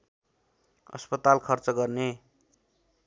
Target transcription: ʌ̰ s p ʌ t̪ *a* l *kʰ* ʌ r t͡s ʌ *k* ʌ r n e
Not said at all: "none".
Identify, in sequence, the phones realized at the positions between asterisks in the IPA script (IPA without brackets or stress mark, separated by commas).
a, kʰ, ɡ